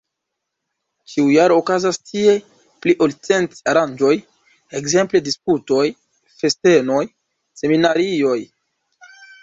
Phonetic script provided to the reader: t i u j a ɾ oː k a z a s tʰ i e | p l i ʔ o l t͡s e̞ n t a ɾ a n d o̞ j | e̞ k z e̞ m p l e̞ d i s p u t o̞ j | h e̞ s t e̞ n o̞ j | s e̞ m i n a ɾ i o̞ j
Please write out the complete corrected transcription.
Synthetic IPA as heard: t͡ʃ i u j a ɾ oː k a z a s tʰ i e | p l i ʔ o l t͡s e̞ n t a ɾ a n d͡ʒ o̞ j | e̞ k z e̞ m p l e̞ d i s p u t o̞ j | f e̞ s t e̞ n o̞ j | s e̞ m i n a ɾ i o̞ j